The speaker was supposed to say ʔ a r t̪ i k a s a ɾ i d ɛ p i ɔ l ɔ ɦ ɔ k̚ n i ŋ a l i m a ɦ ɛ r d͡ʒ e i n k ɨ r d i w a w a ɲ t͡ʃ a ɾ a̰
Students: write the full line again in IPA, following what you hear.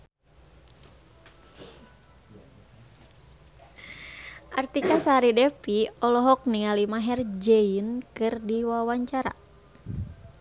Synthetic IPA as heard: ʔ a r t̪ i k a s a ɾ i d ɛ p i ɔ l ɔ ɦ ɔ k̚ n i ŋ a l i m a ɦ ɛ r d͡ʒ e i n k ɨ r d i w a w a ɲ t͡ʃ a ɾ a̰